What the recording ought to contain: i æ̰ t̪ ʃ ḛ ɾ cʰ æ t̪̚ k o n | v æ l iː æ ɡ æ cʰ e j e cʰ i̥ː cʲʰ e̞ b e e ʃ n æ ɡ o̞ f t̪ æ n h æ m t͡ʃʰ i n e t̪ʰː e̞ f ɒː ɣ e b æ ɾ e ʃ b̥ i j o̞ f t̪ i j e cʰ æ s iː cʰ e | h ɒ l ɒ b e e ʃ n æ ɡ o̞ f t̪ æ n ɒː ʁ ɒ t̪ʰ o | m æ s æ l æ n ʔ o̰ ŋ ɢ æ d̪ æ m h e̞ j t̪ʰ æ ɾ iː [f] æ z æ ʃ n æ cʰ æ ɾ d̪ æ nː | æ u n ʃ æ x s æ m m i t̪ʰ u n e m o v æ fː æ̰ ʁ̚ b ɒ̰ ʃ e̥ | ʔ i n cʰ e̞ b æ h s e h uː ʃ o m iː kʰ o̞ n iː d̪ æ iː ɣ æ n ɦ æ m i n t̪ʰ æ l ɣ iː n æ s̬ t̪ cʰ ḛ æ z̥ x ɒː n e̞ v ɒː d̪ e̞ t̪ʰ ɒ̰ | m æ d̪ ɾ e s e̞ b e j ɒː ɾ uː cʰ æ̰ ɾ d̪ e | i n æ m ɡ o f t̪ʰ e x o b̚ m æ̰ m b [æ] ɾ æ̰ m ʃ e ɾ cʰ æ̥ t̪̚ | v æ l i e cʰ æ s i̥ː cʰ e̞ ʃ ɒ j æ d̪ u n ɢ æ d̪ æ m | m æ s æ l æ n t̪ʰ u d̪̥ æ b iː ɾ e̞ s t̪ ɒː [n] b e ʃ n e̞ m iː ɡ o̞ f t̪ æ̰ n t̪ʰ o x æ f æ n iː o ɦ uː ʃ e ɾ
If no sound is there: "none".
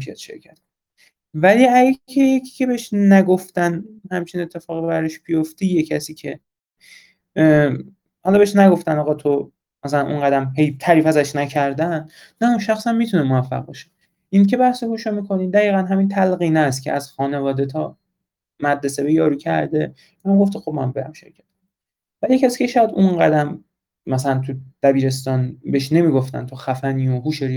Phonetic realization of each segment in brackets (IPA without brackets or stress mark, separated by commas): f, e, n